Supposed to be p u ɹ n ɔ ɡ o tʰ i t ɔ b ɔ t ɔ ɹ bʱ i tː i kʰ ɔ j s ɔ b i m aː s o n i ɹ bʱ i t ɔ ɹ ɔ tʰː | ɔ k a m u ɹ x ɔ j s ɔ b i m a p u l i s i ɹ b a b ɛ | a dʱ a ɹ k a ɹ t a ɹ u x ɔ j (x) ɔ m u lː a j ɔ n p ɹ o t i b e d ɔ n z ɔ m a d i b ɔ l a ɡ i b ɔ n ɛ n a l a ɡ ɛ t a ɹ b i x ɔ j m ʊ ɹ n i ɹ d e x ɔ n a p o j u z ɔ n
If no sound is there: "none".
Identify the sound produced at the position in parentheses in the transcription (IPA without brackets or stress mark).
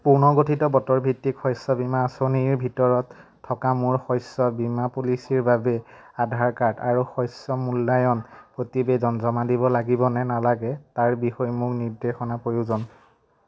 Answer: s